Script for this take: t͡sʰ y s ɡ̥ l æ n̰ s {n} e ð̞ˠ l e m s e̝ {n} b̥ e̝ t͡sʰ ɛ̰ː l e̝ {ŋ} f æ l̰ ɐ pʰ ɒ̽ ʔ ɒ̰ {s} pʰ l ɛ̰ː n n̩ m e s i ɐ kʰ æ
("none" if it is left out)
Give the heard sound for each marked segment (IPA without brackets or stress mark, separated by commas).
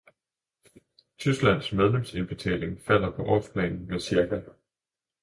m, n, ŋ, s